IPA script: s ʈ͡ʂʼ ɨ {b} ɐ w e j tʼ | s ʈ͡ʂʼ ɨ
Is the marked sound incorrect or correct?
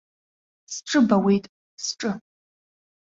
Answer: correct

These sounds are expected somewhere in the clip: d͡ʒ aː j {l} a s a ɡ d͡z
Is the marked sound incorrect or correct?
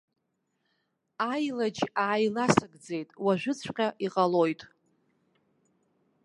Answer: correct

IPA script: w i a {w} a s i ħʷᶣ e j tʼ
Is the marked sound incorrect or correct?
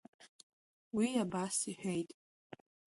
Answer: incorrect: b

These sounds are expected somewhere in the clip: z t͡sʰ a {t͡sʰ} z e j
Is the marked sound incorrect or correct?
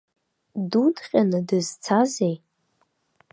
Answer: incorrect: none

